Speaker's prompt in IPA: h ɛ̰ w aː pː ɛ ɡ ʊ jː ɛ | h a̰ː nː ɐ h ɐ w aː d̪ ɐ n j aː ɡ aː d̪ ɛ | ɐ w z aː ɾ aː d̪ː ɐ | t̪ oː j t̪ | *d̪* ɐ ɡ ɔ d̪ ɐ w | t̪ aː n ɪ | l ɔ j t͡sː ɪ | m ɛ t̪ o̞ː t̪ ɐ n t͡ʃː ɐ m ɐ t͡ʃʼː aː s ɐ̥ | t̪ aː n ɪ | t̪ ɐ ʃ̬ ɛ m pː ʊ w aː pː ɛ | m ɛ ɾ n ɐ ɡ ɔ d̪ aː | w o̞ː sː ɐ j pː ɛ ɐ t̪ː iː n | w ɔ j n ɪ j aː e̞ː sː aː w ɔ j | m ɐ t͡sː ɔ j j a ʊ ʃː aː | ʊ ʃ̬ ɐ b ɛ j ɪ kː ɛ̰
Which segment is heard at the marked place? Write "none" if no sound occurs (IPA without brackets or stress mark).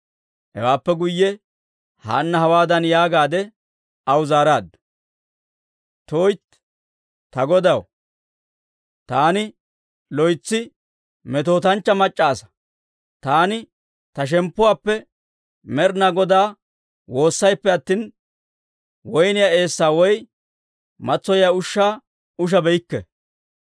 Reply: t̪